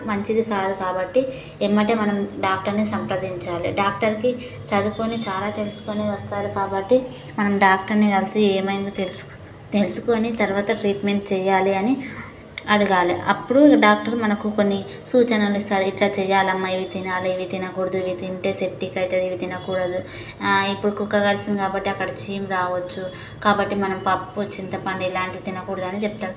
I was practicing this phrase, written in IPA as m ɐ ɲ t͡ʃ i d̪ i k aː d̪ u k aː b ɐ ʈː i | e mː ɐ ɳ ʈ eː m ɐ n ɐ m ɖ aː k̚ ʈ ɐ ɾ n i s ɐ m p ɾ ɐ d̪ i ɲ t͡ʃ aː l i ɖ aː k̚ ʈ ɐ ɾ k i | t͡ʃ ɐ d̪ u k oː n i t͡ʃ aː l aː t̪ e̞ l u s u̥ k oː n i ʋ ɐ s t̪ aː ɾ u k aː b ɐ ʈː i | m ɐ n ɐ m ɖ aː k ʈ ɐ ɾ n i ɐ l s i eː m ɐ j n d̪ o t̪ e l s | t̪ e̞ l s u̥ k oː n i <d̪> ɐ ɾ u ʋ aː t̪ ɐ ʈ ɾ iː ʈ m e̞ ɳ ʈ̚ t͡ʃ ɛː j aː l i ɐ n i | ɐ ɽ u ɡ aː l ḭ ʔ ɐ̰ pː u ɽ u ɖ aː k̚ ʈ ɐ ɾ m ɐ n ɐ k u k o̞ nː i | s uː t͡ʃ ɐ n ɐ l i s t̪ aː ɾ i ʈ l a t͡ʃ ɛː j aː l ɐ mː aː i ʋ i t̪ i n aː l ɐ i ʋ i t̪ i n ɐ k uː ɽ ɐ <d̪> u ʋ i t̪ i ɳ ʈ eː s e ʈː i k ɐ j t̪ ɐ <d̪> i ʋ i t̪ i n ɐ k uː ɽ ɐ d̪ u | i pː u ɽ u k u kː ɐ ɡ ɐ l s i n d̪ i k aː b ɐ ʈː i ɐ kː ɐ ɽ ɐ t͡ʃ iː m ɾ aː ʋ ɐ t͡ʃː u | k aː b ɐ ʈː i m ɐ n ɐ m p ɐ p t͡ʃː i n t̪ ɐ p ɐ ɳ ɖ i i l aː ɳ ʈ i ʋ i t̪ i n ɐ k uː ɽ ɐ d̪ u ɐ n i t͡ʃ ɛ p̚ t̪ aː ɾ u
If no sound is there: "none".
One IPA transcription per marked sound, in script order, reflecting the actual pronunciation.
t̪, d̪, d̪

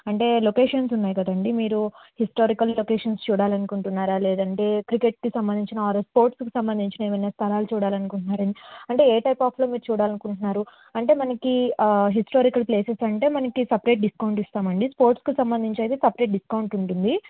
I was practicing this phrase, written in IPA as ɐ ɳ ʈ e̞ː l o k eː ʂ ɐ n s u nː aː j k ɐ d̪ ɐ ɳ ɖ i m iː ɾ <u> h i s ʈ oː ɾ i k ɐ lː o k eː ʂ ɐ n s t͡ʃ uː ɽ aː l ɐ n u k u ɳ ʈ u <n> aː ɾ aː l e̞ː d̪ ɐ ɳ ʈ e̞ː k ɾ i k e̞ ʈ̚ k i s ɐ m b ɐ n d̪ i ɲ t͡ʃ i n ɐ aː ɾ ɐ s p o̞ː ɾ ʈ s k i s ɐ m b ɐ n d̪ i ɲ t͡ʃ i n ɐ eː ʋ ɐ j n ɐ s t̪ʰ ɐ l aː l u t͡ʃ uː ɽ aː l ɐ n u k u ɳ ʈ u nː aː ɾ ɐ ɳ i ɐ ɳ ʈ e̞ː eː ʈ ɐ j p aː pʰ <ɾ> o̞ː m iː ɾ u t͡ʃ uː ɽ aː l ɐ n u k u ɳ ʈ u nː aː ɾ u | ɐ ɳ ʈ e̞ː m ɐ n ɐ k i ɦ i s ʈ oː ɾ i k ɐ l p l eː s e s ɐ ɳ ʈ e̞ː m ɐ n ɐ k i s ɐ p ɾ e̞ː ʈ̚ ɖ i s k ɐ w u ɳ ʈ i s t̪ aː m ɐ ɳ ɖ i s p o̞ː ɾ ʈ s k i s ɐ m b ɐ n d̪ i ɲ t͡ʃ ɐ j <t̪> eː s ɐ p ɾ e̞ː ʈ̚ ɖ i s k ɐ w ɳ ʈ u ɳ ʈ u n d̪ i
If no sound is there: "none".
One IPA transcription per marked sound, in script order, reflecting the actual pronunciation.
u, nː, l, t̪

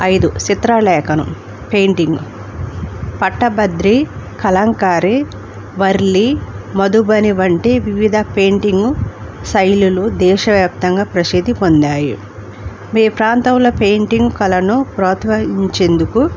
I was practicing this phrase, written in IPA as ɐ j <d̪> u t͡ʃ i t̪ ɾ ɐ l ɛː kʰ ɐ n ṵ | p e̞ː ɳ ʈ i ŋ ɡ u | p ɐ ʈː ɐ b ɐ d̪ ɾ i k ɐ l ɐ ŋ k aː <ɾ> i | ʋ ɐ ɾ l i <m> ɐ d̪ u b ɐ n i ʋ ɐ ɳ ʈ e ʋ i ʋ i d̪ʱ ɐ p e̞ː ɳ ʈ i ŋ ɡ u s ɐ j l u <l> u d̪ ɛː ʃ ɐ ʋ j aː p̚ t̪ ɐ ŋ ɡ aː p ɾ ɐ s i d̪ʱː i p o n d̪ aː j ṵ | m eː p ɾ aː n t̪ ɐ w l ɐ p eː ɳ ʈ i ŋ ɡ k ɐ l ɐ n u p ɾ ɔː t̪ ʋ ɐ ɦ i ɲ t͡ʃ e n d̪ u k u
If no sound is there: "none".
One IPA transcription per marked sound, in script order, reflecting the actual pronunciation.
d̪, ɾ, m, l

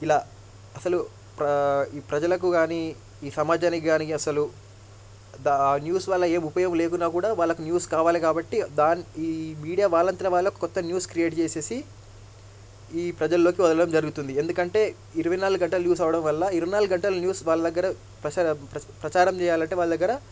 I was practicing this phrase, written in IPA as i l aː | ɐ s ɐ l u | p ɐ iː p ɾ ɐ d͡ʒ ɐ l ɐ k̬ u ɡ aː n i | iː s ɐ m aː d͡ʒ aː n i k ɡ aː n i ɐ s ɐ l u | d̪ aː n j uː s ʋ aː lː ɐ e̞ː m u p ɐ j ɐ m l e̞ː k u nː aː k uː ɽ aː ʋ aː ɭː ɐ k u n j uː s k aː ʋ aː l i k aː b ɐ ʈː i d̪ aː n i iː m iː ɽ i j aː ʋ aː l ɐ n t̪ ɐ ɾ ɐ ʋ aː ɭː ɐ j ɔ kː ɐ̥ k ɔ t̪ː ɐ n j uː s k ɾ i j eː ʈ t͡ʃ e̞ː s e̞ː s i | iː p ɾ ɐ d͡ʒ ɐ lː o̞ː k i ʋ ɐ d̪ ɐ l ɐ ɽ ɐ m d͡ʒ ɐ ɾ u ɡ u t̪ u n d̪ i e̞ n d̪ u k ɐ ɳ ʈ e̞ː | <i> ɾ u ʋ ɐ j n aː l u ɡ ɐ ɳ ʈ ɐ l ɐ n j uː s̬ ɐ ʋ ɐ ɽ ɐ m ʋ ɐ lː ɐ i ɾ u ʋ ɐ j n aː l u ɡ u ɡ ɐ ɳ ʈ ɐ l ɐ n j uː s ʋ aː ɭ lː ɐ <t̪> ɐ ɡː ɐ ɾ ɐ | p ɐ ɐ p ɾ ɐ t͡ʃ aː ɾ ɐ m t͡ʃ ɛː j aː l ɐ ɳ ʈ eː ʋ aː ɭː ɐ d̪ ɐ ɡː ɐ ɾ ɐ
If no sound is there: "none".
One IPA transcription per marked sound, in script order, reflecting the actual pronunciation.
i, d̪

